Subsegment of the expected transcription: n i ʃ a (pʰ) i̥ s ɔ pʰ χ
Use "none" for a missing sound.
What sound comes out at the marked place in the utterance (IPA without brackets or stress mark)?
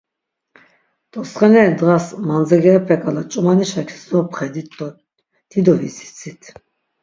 kʰ